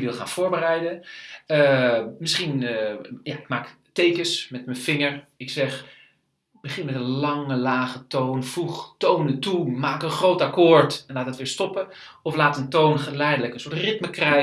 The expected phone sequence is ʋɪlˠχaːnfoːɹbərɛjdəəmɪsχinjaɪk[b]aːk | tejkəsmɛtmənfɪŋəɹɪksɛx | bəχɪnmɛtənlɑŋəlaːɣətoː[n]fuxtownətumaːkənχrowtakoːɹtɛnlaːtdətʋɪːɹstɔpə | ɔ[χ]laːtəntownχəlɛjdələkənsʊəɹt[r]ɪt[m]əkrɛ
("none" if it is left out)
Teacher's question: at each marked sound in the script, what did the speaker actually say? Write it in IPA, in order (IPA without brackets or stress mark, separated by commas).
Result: m, n, f, r, m